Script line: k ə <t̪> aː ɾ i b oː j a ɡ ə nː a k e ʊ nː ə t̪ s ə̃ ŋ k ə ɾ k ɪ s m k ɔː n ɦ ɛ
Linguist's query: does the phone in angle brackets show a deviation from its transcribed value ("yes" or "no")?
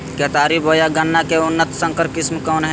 no